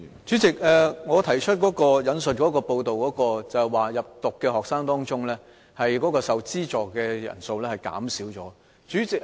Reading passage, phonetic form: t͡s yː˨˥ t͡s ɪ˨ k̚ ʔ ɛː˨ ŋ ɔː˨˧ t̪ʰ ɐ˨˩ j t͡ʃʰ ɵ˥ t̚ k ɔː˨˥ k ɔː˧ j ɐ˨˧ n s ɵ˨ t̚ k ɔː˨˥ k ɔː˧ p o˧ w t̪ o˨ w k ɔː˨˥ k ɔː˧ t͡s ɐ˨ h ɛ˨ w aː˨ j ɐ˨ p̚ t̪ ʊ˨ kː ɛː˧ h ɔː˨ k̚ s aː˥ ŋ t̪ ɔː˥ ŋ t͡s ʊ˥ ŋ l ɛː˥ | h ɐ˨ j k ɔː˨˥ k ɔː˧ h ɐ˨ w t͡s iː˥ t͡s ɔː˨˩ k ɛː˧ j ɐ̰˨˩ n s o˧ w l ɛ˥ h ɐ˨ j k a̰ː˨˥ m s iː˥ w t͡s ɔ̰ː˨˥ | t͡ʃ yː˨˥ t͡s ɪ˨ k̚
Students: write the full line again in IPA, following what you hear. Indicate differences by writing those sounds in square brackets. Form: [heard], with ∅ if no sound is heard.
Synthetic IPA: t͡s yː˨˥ t͡s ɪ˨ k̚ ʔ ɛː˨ ŋ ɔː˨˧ t̪ʰ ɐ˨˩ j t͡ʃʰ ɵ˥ t̚ k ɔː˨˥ k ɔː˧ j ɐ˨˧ n s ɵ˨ t̚ k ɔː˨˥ k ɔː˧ p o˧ w t̪ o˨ w k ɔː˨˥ k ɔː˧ t͡s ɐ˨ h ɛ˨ w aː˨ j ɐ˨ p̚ t̪ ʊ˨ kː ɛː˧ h ɔː˨ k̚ s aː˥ ŋ t̪ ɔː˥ ŋ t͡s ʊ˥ ŋ l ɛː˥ | h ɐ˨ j k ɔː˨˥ k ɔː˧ [s] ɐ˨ w t͡s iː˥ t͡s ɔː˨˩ k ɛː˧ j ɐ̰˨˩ n s o˧ w l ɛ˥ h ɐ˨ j k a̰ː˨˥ m s [iː˨˥] w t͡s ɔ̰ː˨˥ | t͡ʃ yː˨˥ t͡s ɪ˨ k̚

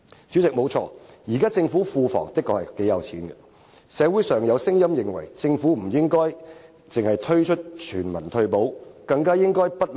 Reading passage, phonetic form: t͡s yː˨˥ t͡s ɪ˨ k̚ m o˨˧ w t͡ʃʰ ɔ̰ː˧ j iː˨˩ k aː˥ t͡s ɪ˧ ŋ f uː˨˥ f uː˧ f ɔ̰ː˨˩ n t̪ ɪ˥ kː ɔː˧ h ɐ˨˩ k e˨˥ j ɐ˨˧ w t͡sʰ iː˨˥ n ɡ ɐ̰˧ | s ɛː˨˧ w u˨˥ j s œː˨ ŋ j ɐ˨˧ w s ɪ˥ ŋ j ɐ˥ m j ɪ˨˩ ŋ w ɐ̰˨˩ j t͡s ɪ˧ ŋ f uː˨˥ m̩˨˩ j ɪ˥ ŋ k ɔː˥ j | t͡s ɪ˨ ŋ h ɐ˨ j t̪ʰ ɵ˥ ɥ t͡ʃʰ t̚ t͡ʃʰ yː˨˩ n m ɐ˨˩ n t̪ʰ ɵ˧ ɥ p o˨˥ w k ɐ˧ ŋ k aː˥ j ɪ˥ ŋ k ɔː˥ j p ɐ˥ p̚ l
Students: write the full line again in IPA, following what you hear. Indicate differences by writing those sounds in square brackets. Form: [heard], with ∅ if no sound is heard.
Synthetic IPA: t͡s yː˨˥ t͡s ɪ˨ k̚ m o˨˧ w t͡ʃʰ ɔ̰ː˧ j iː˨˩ k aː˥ t͡s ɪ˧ ŋ f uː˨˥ f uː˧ f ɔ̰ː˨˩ [ŋ] t̪ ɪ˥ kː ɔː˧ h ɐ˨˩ k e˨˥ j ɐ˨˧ w t͡sʰ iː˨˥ n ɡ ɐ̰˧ | s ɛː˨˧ w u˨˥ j s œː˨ ŋ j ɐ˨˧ w s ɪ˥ ŋ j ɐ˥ m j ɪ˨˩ ŋ w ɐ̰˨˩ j t͡s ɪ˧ ŋ f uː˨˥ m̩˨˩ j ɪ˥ ŋ k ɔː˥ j | t͡s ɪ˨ ŋ h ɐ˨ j t̪ʰ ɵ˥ ɥ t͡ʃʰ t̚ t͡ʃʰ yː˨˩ n m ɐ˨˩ n t̪ʰ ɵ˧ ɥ p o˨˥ w k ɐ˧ ŋ k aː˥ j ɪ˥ ŋ k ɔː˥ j p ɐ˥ [t̚] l

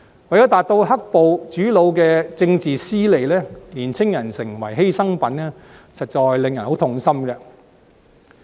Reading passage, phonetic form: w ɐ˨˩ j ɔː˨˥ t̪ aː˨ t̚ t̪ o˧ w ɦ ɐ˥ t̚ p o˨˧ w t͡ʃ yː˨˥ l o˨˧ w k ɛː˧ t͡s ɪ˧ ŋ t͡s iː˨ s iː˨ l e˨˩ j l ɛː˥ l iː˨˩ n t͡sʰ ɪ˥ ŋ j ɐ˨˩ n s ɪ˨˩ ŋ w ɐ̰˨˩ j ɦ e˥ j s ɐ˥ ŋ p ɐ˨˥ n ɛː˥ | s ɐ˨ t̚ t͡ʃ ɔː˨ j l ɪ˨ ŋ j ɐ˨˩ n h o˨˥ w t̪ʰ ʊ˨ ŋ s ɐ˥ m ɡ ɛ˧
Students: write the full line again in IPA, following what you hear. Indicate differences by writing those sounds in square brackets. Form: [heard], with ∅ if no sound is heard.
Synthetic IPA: w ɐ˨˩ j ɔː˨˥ t̪ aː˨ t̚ t̪ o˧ w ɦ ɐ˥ [k̚] p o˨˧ w t͡ʃ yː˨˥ l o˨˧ w k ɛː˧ t͡s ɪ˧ ŋ t͡s iː˨ s [iː˥] l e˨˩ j l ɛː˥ l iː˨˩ n t͡sʰ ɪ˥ ŋ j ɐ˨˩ n s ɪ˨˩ ŋ w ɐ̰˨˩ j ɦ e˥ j s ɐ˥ ŋ p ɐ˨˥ n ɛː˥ | s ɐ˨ t̚ t͡ʃ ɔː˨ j l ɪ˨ ŋ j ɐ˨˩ n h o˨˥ w t̪ʰ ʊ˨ ŋ s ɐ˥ m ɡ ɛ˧

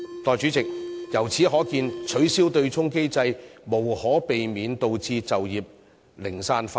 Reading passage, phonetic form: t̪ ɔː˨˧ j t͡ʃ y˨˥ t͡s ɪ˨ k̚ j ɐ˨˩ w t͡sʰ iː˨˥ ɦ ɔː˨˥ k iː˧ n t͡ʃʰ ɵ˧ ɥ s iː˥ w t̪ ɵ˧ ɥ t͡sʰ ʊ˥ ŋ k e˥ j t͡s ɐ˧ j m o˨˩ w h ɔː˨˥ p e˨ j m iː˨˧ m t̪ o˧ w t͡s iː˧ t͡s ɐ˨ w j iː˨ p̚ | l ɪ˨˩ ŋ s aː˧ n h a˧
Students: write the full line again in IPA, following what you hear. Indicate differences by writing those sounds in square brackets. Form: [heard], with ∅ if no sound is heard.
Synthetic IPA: t̪ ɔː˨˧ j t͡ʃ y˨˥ t͡s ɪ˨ k̚ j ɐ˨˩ w t͡sʰ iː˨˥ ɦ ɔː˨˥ k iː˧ n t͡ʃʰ [ɵ˨˥] ɥ s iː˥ w t̪ ɵ˧ ɥ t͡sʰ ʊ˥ ŋ k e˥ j t͡s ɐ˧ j m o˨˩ w h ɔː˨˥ p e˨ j m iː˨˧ [n] t̪ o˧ w t͡s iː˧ t͡s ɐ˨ w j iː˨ p̚ | l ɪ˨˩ ŋ s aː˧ n [f] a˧

